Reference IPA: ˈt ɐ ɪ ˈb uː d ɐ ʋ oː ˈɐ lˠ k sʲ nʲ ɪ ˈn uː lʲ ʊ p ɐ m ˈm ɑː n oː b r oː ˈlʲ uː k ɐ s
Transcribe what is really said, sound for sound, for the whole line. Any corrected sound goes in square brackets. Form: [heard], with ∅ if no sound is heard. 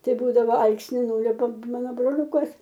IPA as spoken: ˈt ɐ ɪ ˈb uː d ɐ ʋ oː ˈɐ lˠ k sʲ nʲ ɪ ˈn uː lʲ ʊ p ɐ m ˈm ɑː n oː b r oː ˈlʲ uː k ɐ s

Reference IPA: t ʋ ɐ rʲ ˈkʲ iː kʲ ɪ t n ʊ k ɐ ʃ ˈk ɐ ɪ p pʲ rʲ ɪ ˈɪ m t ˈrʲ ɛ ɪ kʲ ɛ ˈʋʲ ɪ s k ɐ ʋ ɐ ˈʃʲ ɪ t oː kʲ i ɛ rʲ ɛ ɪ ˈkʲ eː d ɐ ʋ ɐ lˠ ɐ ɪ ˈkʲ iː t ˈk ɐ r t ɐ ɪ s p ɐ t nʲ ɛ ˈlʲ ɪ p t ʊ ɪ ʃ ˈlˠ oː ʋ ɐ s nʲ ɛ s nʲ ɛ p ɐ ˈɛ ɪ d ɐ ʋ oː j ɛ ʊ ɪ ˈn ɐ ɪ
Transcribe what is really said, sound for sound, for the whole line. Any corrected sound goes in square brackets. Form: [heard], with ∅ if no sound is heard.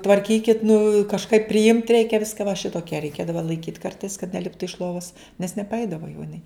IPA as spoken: t ʋ ɐ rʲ ˈkʲ iː kʲ ɪ t n ʊ k ɐ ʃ ˈk ɐ ɪ p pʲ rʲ ɪ ˈɪ m t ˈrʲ ɛ ɪ kʲ ɛ ˈʋʲ ɪ s k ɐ ʋ ɐ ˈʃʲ ɪ t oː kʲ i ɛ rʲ ɛ ɪ ˈkʲ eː d ɐ ʋ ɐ lˠ ɐ ɪ ˈkʲ iː t ˈk ɐ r t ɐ ɪ s [k] ɐ t nʲ ɛ ˈlʲ ɪ p t ʊ ɪ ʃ ˈlˠ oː ʋ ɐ s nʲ ɛ s nʲ ɛ p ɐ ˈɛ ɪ d ɐ ʋ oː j ɛ ʊ ɪ ˈn ɐ ɪ

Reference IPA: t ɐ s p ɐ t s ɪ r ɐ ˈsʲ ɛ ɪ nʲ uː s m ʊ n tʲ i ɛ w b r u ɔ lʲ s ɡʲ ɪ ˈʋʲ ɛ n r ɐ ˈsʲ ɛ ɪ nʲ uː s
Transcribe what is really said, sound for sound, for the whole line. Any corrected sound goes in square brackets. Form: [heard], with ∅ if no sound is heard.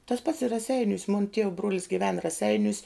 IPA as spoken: t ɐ s p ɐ t s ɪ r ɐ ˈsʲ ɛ ɪ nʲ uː s m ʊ n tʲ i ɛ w b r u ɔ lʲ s ɡʲ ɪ ˈʋʲ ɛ n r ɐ ˈsʲ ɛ ɪ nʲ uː s

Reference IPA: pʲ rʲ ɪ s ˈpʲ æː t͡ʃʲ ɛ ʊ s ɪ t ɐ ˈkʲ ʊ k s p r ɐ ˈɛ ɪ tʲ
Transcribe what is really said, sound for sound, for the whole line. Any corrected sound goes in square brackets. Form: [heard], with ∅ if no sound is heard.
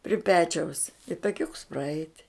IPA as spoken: pʲ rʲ ɪ [∅] ˈpʲ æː t͡ʃʲ ɛ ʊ s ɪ t ɐ ˈkʲ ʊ k s p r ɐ ˈɛ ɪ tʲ

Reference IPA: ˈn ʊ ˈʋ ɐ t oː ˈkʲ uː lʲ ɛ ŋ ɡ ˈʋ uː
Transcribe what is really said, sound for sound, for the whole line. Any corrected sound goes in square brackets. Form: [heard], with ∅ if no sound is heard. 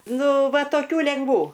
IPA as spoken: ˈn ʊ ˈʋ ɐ t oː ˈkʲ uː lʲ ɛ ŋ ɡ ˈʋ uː

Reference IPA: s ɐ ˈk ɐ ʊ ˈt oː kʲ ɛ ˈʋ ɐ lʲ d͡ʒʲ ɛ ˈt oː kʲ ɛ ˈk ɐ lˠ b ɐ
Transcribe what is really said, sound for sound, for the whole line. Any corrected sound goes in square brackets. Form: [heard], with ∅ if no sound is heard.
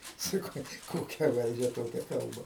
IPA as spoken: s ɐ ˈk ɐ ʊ [ˈk] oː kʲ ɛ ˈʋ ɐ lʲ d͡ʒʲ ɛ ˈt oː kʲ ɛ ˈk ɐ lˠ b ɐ

